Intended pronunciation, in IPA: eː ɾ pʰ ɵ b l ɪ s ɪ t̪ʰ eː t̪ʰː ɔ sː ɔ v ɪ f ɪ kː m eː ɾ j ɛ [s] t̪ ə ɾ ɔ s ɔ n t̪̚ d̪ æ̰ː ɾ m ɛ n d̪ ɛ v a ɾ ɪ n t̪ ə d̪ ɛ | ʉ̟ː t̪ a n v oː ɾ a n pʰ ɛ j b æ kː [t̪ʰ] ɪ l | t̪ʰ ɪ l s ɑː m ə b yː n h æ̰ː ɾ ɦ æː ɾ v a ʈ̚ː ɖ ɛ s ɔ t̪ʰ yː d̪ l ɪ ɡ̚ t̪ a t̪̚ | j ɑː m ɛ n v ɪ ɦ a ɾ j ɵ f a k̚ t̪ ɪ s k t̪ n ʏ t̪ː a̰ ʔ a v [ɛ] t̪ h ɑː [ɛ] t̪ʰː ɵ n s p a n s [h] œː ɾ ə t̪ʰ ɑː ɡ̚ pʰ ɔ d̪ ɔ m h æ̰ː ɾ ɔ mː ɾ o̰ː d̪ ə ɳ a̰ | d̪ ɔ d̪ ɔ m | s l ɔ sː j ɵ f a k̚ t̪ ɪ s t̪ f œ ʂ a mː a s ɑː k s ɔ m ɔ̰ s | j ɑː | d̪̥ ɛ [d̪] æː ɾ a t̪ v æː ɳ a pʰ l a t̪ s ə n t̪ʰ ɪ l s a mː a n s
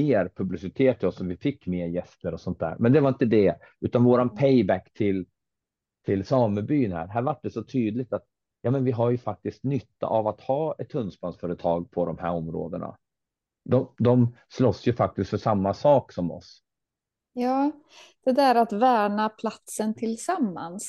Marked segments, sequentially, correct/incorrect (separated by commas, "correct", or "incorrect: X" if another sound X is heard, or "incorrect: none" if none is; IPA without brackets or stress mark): correct, correct, incorrect: a, correct, incorrect: f, correct